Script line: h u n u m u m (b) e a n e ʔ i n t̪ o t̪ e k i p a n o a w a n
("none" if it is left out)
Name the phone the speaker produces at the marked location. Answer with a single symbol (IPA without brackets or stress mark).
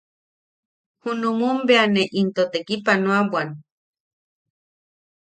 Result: b